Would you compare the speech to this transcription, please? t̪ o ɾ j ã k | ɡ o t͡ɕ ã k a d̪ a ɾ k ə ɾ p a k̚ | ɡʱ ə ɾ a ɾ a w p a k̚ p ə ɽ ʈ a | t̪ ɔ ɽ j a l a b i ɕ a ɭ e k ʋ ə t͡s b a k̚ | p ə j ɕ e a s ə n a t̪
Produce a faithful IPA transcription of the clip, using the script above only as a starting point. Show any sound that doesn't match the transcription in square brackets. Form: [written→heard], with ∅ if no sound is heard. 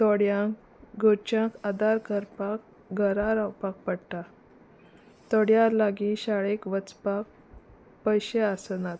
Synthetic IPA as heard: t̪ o [ɾ→ɽ] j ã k | ɡ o t͡ɕ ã k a d̪ a ɾ k ə ɾ p a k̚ | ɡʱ ə ɾ a ɾ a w p a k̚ p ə ɽ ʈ a | t̪ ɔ ɽ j a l a [b→ɡ] i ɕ a ɭ e k ʋ ə t͡s [b→p] a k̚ | p ə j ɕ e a s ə n a t̪